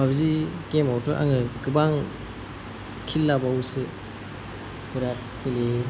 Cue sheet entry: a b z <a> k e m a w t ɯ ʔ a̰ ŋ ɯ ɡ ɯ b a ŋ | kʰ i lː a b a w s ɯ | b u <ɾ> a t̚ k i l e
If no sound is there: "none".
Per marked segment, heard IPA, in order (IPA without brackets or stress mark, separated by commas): i, ɾ